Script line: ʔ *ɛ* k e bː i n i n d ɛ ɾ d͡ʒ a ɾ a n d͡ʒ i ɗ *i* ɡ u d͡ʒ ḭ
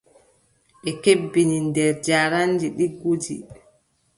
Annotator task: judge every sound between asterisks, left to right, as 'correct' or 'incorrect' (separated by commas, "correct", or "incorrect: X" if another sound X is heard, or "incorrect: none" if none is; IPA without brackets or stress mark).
correct, correct